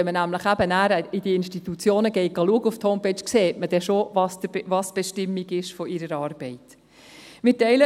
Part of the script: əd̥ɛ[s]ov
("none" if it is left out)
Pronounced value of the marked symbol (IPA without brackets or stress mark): ʃ